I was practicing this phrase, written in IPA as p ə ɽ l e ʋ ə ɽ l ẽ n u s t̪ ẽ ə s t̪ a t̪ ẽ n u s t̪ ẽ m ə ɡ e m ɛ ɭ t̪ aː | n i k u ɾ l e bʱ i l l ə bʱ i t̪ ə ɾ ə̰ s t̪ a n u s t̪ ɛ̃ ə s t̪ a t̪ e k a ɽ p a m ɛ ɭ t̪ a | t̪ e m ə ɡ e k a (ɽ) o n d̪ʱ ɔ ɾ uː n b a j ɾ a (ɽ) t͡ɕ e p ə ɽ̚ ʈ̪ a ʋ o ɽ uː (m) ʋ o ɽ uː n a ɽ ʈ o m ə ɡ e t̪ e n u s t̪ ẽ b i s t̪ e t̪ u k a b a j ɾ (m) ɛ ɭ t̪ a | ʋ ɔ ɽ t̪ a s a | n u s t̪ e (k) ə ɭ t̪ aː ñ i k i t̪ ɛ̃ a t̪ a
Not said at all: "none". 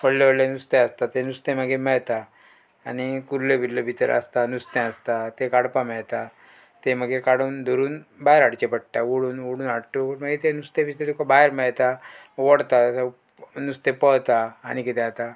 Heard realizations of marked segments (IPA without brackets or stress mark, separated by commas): ɽ, ɽ, n, m, p